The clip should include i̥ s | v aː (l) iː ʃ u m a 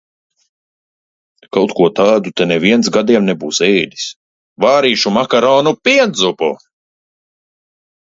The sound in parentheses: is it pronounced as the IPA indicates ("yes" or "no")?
no